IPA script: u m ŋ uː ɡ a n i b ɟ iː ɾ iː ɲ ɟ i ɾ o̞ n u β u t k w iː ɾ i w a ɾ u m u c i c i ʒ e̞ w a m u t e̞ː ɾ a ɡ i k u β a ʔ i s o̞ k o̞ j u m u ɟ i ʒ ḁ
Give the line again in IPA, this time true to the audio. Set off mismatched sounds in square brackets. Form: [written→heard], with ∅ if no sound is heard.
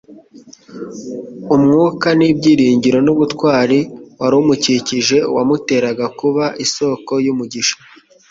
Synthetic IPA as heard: u m ŋ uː [ɡ→k] a n i b ɟ iː ɾ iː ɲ ɟ i ɾ o̞ n u β u t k w [iː→aː] ɾ i w a ɾ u m u c i c i ʒ e̞ w a m u t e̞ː ɾ a ɡ [i→a] k u β a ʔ i s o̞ k o̞ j u m u ɟ i [ʒ→ʃ] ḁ